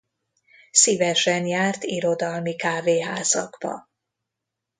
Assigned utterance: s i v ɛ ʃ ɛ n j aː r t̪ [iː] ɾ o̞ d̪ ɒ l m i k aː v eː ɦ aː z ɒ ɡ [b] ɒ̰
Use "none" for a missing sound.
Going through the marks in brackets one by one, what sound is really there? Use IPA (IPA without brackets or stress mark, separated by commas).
i, b